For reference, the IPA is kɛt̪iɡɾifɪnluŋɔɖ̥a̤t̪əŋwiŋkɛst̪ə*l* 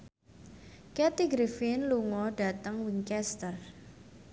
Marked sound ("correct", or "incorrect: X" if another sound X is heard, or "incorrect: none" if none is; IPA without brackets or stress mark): incorrect: r